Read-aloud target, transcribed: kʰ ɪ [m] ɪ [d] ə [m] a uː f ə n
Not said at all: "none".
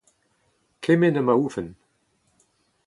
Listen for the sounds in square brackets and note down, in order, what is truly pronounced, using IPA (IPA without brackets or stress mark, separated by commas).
m, n, m